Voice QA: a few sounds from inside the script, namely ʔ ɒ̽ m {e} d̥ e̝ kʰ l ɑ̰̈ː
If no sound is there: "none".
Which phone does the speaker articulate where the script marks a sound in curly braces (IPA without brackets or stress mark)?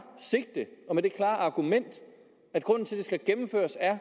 e